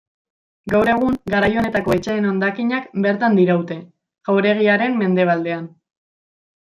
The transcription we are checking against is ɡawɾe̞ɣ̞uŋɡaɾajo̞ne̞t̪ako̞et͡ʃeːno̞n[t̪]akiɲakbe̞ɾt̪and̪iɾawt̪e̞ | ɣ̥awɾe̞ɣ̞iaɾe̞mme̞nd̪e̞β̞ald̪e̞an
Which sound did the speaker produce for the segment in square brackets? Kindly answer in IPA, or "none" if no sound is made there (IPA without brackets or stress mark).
d̪